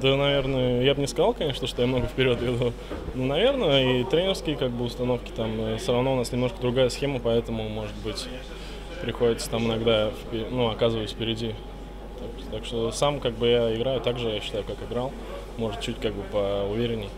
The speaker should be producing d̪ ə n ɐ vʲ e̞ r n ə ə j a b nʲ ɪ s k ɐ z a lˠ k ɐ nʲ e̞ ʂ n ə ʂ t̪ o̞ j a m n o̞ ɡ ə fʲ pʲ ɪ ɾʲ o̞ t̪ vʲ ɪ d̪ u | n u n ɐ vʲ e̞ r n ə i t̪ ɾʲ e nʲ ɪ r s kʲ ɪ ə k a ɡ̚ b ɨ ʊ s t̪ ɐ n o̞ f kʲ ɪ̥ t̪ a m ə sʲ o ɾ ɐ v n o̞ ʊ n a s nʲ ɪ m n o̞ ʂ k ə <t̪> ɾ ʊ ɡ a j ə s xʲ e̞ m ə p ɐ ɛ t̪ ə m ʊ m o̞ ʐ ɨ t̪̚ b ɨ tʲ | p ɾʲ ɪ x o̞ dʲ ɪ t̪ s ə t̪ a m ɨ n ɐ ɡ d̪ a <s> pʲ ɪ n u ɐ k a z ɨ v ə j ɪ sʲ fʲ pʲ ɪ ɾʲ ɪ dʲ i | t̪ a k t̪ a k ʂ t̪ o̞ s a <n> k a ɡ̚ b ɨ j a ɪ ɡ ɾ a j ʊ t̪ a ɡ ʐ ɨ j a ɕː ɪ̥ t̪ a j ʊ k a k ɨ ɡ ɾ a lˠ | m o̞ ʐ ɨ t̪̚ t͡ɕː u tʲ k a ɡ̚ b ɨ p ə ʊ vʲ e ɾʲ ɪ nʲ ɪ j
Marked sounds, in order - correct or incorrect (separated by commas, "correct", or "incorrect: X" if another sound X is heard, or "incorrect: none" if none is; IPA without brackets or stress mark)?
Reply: incorrect: d̪, incorrect: f, incorrect: m